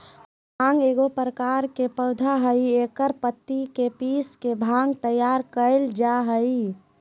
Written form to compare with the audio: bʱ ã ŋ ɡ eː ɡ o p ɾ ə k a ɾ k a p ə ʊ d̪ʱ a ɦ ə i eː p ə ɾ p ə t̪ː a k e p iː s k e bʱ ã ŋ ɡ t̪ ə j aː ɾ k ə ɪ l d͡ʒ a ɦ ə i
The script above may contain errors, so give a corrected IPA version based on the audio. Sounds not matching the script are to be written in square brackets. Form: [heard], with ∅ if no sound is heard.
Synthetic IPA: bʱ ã ŋ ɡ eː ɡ o p ɾ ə k a ɾ k [e] p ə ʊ d̪ʱ a ɦ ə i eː [k] ə ɾ p ə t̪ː [i] k e p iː s k e bʱ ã ŋ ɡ t̪ ə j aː ɾ k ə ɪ l d͡ʒ a ɦ ə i